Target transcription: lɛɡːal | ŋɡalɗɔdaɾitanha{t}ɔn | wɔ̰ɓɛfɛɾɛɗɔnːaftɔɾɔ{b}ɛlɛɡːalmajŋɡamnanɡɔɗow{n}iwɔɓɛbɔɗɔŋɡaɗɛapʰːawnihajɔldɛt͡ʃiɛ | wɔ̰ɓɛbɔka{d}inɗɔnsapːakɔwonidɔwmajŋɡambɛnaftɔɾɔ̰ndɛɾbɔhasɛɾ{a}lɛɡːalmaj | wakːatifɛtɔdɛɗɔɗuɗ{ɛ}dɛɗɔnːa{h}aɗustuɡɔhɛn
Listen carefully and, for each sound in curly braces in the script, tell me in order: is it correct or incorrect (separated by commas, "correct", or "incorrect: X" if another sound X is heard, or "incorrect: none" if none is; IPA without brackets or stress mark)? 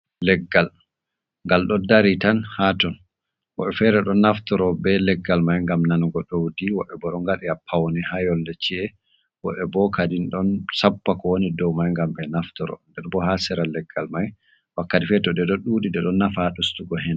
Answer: correct, correct, incorrect: d, correct, correct, incorrect: i, incorrect: f